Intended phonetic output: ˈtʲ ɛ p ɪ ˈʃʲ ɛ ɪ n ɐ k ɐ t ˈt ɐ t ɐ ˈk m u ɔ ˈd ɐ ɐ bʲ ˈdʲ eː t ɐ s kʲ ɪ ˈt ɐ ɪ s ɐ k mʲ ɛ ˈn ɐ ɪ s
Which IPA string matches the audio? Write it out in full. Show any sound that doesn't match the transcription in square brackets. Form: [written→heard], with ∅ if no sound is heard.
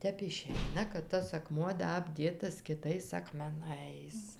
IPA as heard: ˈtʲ ɛ p ɪ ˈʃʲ ɛ ɪ n ɐ k ɐ t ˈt ɐ [t→s] ɐ ˈk m u ɔ ˈd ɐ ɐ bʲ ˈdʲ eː t ɐ s kʲ ɪ ˈt ɐ ɪ s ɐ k mʲ ɛ ˈn ɐ ɪ s